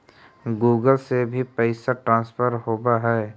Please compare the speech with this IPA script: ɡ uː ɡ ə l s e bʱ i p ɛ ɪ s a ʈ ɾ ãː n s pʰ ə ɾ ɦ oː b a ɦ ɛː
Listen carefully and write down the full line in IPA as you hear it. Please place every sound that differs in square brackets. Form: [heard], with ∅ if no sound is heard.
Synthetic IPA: ɡ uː ɡ ə l s e bʱ i p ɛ ɪ s a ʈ ɾ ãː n s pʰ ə ɾ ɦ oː b a ɦ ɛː